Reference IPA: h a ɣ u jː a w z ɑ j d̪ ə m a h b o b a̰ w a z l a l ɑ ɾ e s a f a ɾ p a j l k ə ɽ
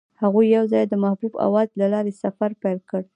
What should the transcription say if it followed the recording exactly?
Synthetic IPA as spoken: h a ɣ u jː a w z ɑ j d̪ ə m a h b u b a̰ w ɑ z l a l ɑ ɾ e s a f a ɾ p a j l k ə ɽ